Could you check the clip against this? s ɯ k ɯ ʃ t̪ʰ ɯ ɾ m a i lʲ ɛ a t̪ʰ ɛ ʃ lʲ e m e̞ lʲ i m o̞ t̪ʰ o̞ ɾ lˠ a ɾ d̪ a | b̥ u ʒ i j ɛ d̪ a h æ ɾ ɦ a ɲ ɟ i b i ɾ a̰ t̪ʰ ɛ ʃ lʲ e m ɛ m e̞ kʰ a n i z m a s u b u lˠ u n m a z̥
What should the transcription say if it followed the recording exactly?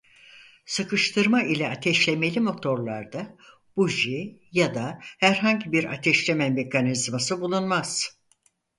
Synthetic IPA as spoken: s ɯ k ɯ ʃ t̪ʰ ɯ ɾ m a i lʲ ɛ a t̪ʰ ɛ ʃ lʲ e m e̞ lʲ i m o̞ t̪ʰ o̞ ɾ lˠ a ɾ d̪ a | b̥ u ʒ i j a d̪ a h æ ɾ ɦ a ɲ ɟ i b i ɾ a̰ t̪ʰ ɛ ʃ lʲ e m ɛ m e̞ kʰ a n i z m a s ɯ b u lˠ u n m a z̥